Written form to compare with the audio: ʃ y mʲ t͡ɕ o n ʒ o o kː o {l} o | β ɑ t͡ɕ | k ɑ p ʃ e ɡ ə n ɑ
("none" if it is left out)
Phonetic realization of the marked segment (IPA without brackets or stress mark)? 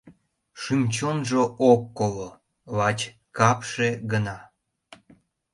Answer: l